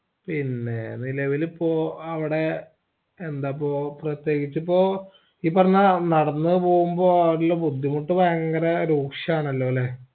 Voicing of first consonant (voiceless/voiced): voiceless